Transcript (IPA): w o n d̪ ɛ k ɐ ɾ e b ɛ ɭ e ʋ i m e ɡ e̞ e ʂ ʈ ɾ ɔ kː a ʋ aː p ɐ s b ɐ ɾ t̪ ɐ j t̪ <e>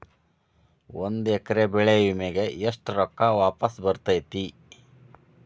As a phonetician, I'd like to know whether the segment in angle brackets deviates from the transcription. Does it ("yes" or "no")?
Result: yes